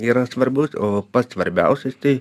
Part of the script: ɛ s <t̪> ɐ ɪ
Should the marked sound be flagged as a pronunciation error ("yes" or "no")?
no